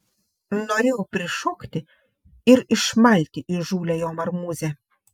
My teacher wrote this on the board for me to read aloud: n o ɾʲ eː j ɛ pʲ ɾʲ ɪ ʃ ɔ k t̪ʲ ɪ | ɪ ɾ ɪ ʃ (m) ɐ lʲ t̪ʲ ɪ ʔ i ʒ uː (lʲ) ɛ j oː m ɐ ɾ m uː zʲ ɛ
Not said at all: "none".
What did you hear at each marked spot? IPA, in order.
m, lʲ

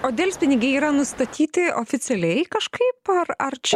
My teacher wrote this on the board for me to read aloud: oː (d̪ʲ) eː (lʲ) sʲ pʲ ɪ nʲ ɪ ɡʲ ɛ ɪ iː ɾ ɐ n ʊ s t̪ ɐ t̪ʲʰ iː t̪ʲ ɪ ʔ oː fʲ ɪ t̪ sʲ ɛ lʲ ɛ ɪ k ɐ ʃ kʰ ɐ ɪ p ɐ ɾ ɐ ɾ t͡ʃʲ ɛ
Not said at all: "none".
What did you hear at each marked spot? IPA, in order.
d̪ʲ, lʲ

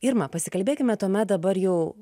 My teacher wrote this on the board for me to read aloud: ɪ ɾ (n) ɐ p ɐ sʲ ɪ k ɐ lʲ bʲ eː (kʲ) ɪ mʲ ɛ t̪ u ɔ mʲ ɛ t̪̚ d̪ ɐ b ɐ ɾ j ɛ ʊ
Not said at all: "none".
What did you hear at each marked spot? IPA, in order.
m, kʲ

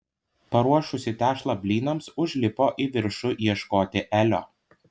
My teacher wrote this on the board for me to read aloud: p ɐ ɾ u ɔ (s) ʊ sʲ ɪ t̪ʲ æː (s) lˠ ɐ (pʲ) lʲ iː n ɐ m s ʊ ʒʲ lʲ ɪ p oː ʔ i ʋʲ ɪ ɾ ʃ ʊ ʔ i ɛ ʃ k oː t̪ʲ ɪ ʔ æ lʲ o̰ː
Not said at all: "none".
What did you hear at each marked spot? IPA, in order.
ʃ, ʃ, bʲ

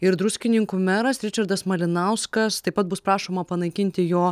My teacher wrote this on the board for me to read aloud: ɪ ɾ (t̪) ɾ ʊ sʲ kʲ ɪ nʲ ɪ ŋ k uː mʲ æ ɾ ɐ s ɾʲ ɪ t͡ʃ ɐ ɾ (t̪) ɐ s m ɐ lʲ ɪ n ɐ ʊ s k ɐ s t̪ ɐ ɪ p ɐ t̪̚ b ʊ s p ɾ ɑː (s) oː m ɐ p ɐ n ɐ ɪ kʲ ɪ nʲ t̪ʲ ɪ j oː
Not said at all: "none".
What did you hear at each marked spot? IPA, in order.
d̪, d̪, ʃ

